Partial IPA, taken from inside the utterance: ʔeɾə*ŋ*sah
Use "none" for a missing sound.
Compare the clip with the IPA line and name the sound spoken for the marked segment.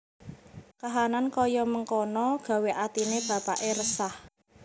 none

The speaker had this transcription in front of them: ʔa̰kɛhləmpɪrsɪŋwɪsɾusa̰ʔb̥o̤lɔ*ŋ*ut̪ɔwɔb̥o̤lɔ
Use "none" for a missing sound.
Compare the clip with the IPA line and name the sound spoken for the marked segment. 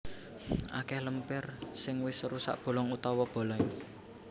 ŋ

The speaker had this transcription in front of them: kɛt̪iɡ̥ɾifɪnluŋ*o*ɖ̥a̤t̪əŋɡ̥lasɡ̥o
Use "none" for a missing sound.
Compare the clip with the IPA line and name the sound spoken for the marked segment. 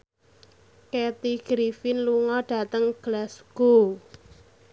ɔ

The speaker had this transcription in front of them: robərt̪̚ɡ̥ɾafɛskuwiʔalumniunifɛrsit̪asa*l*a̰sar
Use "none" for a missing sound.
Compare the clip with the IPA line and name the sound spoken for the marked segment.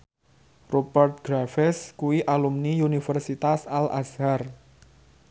l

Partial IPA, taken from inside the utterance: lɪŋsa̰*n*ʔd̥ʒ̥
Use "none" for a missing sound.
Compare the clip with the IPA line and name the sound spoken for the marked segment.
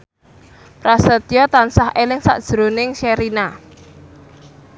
none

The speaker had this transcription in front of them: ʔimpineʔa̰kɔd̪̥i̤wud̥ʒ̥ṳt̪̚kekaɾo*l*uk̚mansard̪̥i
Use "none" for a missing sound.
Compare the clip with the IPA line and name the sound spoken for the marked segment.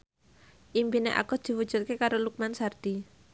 l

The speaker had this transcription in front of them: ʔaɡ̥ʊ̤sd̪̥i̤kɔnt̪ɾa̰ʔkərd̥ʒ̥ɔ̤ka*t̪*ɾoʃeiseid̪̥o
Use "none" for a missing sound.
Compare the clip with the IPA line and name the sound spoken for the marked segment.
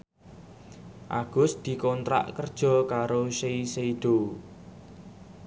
none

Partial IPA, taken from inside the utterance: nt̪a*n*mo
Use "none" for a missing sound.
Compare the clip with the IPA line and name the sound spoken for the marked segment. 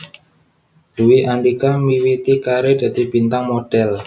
ŋ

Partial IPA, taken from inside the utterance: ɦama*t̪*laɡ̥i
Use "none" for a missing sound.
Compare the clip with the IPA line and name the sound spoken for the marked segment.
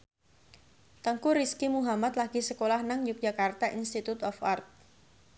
t̪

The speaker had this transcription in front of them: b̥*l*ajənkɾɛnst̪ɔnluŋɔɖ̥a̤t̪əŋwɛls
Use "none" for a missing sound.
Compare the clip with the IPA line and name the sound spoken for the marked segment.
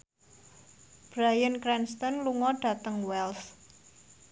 ɾ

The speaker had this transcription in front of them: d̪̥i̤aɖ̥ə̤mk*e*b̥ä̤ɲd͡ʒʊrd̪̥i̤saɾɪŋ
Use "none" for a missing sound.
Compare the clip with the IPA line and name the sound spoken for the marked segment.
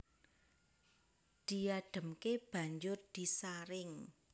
e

